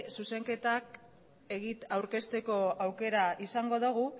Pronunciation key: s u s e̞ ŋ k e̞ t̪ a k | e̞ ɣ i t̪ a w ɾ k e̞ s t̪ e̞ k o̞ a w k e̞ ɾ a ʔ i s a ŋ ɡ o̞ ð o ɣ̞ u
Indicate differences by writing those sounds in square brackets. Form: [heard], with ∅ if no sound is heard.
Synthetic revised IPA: s u s e̞ ŋ k e̞ t̪ a k | e̞ ɣ i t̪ a w ɾ k e̞ s t̪ e̞ k o̞ a w k e̞ ɾ a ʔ i s a ŋ ɡ o̞ ð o ɣ̞ u